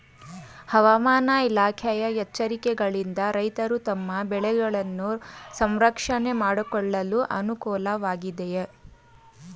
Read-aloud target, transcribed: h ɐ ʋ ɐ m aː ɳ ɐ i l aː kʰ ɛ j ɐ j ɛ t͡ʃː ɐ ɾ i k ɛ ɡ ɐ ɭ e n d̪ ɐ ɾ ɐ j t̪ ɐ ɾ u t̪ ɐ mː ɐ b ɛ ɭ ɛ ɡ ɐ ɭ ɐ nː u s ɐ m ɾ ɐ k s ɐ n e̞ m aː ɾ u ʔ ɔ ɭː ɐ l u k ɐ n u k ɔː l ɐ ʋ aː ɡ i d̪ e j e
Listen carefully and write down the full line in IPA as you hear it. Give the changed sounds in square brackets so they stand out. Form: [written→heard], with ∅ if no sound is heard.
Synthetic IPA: h ɐ ʋ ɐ m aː [ɳ→n] ɐ i l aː kʰ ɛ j ɐ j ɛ t͡ʃː ɐ ɾ i k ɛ ɡ ɐ ɭ [e→i] n d̪ ɐ ɾ ɐ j t̪ ɐ ɾ u t̪ ɐ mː ɐ b ɛ ɭ ɛ ɡ ɐ ɭ ɐ nː u s ɐ m ɾ ɐ k [s→ʂ] ɐ n e̞ m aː [ɾ→ɽ] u [ʔ→k] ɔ ɭː ɐ l u [k→ʔ] ɐ n u k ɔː l ɐ ʋ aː ɡ i d̪ e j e